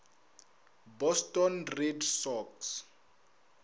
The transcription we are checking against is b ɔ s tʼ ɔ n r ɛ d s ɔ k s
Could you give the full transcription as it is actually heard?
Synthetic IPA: b ɔ s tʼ ɔ n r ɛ d s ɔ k s